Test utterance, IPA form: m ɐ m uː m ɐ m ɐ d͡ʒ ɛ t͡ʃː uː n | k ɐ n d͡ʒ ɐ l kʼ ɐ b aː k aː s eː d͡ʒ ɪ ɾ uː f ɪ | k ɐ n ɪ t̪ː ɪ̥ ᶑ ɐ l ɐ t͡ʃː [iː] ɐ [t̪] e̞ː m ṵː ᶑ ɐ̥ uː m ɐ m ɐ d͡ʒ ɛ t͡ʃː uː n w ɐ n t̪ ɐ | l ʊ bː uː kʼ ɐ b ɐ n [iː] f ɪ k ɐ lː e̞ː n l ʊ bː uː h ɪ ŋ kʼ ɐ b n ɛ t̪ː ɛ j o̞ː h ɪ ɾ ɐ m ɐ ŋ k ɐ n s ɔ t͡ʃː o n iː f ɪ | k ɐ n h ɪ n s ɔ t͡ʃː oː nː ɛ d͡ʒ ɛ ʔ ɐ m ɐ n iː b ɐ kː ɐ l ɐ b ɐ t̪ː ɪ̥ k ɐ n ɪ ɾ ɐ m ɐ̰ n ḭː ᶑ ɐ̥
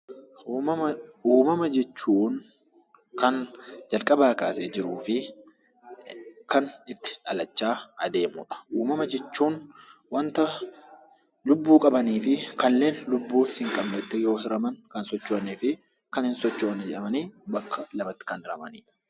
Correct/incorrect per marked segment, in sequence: incorrect: aː, incorrect: d̪, correct

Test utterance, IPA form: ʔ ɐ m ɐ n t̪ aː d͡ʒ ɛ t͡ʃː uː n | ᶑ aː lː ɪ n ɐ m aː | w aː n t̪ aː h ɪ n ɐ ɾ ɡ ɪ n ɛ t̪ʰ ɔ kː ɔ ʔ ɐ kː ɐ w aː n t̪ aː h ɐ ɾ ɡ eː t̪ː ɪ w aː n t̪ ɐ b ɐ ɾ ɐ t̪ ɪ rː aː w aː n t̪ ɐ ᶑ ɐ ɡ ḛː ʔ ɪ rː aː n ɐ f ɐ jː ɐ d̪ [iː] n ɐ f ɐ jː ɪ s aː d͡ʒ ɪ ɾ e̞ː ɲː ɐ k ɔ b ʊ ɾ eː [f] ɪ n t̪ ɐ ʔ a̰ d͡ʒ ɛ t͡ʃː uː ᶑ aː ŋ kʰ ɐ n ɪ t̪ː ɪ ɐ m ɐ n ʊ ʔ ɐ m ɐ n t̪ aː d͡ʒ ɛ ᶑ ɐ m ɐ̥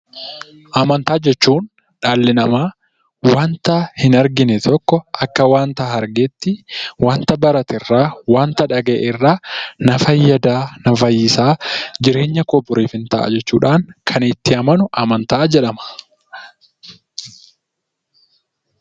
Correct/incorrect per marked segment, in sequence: incorrect: aː, correct

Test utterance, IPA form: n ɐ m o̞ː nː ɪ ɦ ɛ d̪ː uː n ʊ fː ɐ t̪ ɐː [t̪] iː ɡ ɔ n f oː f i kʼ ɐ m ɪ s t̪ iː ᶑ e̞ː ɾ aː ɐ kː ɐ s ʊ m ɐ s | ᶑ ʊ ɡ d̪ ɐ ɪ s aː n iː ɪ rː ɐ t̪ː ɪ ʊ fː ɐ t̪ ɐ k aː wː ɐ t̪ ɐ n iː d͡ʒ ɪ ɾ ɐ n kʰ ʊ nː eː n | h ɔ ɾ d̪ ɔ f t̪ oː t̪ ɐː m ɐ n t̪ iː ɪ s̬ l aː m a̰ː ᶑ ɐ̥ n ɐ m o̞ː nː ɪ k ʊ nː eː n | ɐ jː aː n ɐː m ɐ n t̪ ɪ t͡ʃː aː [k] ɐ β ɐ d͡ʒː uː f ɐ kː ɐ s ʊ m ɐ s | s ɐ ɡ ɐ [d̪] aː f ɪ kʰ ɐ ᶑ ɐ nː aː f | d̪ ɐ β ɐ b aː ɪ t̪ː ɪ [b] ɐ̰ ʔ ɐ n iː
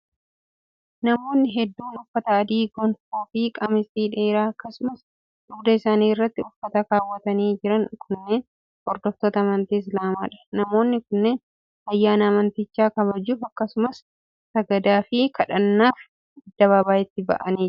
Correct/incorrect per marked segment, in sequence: incorrect: d̪, correct, correct, correct

